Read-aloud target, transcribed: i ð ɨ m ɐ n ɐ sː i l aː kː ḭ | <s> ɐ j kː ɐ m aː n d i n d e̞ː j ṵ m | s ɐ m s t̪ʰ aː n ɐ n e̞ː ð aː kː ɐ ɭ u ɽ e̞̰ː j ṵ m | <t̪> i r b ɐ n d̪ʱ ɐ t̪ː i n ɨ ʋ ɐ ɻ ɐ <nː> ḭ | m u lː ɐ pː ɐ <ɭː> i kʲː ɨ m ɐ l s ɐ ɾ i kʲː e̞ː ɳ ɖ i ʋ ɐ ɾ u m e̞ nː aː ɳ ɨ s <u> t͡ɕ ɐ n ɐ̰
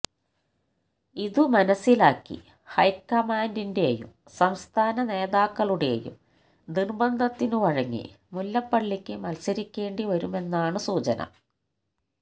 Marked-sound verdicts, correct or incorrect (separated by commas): incorrect, incorrect, incorrect, correct, incorrect